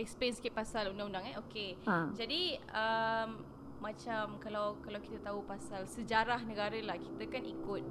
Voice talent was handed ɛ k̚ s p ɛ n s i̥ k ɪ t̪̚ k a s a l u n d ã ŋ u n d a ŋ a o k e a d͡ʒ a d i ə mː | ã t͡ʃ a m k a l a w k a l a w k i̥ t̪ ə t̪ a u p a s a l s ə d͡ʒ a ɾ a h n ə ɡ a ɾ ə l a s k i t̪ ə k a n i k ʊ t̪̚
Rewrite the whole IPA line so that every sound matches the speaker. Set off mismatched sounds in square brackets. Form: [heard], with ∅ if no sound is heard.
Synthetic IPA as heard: ɛ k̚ s p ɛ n s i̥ k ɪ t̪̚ [p] a s a l u n d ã ŋ u n d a ŋ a o k e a d͡ʒ a d i ə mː | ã t͡ʃ a m k a l a w k a l a w k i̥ t̪ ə t̪ a u p a s a l s ə d͡ʒ a ɾ a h n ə ɡ a ɾ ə l a [h] k i t̪ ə k a n i k ʊ t̪̚